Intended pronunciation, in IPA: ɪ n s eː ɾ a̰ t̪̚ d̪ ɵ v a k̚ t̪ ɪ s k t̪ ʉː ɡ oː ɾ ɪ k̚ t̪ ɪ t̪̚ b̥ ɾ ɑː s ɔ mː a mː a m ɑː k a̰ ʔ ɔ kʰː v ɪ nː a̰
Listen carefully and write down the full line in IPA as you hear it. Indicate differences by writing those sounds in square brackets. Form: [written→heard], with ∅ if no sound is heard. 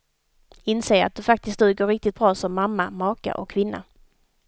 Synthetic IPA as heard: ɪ n s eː ɾ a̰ t̪̚ d̪ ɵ [v→f] a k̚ t̪ ɪ s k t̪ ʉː ɡ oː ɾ ɪ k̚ t̪ ɪ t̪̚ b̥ ɾ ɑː s ɔ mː a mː a m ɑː k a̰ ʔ ɔ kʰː v ɪ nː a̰